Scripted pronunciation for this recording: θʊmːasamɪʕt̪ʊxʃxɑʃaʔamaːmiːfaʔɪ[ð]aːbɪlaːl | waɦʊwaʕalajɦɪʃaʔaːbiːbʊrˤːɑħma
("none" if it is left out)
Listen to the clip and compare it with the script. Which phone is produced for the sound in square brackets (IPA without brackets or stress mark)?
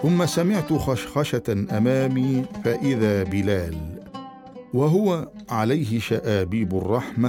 ð